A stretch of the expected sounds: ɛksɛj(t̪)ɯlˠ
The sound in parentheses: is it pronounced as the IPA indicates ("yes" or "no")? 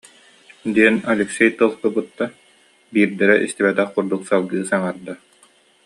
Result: yes